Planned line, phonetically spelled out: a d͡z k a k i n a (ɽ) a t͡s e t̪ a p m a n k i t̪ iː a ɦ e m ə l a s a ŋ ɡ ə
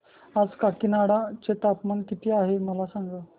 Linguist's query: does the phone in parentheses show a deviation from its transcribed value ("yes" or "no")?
no